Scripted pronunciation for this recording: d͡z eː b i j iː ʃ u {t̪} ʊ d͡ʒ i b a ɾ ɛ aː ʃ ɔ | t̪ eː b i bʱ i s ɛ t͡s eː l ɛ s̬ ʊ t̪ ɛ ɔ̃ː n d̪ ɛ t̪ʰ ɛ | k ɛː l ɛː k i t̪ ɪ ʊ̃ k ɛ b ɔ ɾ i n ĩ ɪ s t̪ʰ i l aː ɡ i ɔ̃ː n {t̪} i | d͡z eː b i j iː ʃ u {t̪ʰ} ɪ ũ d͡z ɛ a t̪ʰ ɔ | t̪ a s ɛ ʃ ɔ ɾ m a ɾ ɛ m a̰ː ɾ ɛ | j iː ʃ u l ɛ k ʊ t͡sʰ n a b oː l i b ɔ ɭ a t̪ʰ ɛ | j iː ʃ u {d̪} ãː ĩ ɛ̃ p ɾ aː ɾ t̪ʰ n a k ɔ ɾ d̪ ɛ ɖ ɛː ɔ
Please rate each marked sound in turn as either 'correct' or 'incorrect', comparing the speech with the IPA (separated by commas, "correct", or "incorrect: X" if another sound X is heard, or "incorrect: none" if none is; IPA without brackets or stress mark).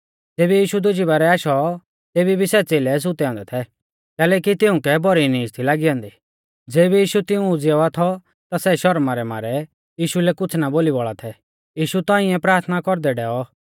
incorrect: d̪, incorrect: d̪, incorrect: t̪, incorrect: t̪